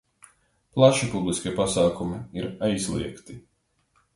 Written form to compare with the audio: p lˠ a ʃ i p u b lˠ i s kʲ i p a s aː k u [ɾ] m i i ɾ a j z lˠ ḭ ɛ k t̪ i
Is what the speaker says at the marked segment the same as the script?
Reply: no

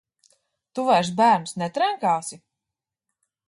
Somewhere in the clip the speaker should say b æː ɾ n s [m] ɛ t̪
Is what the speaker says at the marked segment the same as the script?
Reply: no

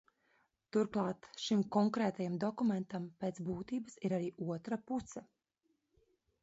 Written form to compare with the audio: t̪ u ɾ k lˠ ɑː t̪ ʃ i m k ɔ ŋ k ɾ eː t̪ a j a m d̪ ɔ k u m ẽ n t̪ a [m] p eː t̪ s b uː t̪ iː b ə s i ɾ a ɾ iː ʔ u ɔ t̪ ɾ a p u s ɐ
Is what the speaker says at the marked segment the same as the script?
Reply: yes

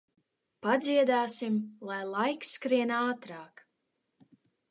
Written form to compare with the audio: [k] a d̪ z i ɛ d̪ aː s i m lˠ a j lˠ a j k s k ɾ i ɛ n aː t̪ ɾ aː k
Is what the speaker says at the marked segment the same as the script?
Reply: no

